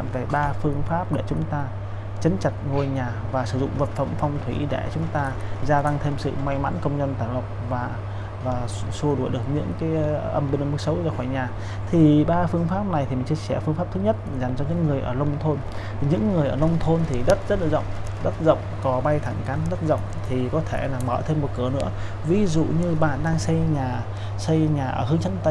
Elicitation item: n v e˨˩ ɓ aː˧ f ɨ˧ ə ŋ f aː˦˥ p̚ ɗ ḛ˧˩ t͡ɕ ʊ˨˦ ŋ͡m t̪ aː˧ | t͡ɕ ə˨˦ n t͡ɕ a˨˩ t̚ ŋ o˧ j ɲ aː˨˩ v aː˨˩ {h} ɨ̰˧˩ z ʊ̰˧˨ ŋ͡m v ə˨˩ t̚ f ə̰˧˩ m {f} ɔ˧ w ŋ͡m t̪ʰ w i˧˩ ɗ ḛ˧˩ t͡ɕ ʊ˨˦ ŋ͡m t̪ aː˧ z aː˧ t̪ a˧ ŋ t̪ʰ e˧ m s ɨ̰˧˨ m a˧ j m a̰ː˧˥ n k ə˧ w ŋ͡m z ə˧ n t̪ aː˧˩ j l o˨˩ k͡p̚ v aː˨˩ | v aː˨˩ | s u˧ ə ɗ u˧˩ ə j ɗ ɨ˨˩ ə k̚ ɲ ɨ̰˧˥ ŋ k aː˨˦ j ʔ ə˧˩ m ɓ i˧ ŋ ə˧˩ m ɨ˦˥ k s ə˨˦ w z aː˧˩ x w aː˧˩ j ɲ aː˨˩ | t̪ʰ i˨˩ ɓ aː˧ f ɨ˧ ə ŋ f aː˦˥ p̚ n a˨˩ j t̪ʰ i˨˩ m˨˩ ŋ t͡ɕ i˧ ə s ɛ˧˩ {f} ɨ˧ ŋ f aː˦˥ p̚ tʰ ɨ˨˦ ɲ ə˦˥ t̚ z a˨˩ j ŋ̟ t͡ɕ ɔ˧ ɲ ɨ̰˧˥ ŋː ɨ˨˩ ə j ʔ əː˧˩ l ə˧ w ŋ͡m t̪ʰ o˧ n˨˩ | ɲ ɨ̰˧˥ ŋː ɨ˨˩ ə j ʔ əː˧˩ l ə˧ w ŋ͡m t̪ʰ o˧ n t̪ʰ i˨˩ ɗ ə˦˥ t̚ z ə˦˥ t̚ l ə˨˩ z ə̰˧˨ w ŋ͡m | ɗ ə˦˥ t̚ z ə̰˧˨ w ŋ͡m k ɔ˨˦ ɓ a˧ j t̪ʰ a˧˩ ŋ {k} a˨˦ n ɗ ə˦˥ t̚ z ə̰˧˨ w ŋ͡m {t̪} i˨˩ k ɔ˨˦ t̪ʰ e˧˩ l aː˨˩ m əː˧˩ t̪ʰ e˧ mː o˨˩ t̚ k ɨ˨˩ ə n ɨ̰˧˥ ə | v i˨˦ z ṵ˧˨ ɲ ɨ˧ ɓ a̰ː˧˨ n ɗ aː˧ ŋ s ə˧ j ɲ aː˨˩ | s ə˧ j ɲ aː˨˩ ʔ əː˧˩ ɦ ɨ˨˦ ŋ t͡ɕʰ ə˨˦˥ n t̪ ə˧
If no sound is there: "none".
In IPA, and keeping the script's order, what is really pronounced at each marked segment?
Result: s, f, f, k, t̪ʰ

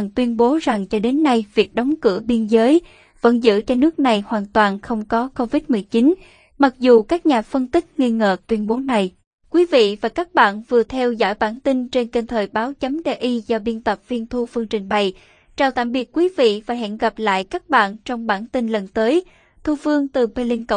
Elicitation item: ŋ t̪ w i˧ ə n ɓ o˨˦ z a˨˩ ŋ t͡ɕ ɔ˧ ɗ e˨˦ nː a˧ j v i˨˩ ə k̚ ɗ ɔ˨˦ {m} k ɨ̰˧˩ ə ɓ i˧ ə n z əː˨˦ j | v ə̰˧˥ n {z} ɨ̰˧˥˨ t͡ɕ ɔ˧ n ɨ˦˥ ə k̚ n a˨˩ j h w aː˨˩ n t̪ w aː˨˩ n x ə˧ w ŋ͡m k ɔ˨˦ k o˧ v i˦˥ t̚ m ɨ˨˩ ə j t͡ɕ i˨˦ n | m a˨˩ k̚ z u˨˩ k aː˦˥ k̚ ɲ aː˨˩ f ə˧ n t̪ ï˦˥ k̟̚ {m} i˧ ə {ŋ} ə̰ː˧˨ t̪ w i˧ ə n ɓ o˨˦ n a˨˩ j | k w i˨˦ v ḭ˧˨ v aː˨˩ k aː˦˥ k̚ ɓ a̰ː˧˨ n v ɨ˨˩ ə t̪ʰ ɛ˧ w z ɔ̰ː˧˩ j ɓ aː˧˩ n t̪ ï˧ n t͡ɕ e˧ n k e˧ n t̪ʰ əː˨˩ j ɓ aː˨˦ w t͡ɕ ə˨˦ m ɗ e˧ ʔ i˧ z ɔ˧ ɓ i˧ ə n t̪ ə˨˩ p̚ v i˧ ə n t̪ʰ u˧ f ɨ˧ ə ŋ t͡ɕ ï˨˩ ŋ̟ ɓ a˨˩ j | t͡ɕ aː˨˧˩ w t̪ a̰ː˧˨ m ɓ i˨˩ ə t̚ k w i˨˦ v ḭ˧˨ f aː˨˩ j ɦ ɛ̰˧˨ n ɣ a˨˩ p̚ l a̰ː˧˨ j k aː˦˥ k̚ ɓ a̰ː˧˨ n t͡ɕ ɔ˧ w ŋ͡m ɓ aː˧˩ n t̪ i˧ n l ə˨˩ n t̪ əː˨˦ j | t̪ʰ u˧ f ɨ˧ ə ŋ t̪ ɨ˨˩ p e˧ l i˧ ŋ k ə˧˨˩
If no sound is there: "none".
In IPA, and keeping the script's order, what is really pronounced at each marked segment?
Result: ŋ͡m, z, ŋ, ŋ

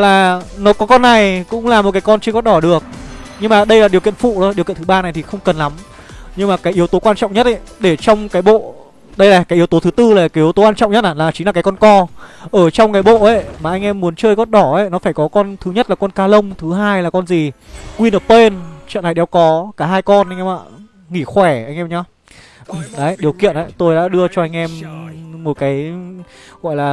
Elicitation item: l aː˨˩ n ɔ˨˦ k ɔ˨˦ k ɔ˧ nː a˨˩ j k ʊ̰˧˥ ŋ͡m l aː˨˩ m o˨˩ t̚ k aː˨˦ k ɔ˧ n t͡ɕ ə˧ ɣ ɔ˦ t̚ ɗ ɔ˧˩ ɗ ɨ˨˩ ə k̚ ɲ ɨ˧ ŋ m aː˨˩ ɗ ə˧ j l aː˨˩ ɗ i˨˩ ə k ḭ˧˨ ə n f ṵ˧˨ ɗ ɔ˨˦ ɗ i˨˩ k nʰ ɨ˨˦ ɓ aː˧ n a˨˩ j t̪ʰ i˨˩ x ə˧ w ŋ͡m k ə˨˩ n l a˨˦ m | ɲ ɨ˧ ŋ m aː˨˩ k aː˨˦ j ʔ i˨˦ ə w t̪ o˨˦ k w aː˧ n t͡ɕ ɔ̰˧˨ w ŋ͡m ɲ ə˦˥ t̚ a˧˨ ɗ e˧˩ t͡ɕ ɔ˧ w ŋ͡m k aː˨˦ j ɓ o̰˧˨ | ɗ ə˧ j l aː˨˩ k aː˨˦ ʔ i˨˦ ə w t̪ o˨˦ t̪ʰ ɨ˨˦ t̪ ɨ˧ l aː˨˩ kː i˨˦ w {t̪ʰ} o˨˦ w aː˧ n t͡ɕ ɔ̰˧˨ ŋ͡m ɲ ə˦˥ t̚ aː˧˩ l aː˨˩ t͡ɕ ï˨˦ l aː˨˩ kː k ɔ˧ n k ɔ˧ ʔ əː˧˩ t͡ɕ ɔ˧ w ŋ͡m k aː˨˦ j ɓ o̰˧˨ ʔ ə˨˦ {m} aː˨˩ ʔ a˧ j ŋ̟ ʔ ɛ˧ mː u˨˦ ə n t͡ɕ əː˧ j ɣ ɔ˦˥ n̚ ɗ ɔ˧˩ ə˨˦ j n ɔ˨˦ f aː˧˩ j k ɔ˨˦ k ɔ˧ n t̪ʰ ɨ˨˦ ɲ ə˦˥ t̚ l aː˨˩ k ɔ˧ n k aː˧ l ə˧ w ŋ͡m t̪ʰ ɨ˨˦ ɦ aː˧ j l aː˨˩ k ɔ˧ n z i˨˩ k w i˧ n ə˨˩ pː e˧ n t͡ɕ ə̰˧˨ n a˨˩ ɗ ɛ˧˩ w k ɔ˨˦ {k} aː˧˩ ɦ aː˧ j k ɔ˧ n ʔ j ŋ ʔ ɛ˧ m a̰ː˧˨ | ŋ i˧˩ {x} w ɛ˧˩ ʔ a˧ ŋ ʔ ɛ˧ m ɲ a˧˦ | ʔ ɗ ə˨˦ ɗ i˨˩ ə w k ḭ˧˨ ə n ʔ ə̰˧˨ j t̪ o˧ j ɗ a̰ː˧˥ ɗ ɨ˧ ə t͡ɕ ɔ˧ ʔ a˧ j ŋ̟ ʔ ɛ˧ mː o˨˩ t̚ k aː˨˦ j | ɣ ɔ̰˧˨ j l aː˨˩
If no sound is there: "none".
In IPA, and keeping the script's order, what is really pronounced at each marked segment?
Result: t̪, m, k, x

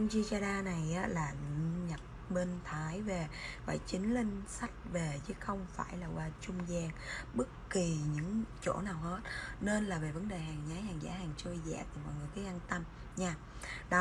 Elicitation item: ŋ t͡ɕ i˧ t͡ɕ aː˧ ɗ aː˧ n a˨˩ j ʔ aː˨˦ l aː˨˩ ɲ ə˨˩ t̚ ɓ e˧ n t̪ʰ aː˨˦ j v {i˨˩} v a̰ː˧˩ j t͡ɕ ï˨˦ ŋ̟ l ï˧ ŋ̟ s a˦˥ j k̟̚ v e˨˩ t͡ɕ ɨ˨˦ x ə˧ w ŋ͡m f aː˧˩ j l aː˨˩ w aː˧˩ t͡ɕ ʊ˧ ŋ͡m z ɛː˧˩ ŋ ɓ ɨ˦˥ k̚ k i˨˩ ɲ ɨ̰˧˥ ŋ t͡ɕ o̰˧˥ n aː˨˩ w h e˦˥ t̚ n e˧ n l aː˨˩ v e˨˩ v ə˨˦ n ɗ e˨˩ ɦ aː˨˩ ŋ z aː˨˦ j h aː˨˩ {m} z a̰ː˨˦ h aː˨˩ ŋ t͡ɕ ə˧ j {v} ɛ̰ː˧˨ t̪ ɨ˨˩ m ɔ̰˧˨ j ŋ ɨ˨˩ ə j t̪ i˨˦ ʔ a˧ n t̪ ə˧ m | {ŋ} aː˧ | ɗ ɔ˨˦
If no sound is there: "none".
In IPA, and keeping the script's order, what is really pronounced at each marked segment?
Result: e˨˩, ŋ, z, ɲ

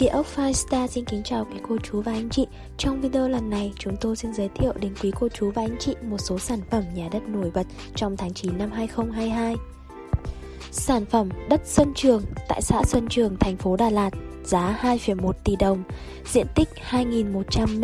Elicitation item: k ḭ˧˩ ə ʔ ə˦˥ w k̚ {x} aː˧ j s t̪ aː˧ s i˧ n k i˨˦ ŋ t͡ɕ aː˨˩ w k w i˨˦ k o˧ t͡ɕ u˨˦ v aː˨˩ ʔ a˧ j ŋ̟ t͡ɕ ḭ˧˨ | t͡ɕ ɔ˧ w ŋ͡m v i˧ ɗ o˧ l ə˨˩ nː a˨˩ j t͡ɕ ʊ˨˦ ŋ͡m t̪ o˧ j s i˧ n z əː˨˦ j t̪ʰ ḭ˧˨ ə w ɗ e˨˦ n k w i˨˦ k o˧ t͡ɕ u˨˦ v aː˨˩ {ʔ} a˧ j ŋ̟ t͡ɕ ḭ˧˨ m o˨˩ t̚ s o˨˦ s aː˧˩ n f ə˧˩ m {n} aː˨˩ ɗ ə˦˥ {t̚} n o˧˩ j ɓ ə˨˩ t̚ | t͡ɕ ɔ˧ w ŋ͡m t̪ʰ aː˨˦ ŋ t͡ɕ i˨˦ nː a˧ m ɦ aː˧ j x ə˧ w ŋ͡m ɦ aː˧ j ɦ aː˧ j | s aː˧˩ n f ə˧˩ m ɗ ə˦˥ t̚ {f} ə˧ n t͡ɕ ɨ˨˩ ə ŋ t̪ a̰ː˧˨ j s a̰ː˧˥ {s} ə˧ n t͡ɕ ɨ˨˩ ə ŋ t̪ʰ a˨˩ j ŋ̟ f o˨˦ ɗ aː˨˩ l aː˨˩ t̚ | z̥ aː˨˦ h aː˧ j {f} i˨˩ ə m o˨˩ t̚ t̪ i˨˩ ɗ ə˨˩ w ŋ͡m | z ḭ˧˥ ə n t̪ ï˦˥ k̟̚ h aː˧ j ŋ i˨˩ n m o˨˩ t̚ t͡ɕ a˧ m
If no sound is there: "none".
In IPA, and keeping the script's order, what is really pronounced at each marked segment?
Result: f, ʔ, ɲ, t̚, s, s, f

